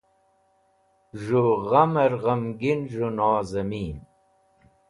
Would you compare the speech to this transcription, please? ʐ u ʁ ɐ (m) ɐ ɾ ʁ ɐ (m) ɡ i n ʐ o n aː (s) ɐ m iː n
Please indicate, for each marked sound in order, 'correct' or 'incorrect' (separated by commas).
correct, correct, incorrect